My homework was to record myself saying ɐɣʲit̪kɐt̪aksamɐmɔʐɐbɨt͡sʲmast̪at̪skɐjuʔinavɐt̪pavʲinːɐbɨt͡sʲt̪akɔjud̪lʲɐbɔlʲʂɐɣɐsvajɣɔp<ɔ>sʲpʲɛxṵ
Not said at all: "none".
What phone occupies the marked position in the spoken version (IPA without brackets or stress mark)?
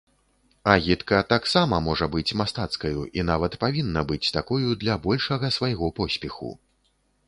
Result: ɔ